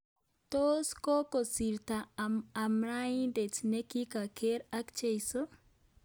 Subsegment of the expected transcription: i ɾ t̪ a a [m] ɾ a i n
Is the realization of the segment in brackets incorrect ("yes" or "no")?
no